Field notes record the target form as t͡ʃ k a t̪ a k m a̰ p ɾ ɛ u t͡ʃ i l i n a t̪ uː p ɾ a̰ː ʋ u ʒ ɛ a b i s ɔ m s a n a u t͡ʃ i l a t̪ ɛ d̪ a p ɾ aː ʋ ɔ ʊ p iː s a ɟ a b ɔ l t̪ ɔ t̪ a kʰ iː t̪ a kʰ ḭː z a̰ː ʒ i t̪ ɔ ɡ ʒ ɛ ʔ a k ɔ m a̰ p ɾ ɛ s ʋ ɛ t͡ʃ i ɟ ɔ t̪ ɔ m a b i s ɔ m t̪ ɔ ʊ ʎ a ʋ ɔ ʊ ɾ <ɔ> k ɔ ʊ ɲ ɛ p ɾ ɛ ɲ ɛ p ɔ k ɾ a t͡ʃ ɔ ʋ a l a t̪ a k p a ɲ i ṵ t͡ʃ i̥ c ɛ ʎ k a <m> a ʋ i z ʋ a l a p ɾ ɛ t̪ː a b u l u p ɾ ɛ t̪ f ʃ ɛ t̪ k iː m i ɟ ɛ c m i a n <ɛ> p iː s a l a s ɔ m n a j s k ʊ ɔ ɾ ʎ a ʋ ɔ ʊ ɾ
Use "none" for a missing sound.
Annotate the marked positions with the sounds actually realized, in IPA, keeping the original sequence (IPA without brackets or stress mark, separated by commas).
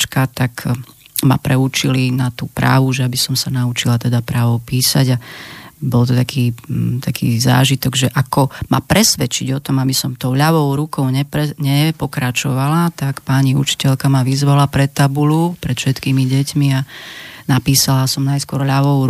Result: u, m, a